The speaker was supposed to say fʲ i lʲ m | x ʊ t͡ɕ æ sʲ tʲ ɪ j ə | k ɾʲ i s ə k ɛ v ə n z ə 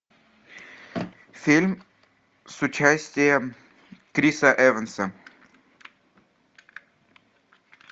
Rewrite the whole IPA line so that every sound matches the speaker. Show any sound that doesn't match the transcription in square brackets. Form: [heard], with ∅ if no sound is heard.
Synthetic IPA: fʲ i lʲ m | [s] ʊ t͡ɕ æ sʲ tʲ ɪ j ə | k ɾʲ i s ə [ʔ] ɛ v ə n [s] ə